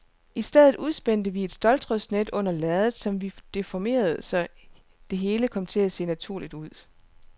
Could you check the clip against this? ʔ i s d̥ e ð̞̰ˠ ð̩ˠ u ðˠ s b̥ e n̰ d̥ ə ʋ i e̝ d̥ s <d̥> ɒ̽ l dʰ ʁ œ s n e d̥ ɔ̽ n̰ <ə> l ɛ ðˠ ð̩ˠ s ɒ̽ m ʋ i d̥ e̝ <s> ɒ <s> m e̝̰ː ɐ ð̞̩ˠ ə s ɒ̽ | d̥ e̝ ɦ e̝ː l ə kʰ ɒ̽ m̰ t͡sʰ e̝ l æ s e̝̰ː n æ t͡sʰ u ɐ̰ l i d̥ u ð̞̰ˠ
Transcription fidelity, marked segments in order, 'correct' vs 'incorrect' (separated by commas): correct, incorrect, incorrect, incorrect